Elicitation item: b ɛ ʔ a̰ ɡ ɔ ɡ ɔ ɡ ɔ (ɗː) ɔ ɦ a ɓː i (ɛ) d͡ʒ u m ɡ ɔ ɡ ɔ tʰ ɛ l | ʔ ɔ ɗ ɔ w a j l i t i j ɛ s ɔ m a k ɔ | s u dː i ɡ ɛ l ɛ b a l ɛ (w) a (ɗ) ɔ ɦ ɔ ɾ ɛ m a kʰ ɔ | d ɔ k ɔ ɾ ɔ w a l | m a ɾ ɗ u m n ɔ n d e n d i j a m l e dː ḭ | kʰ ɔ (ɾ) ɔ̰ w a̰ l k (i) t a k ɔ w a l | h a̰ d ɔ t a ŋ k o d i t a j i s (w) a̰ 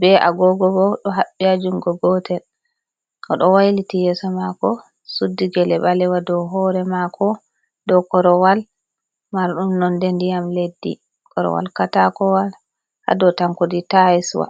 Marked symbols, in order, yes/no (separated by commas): no, no, yes, no, yes, no, yes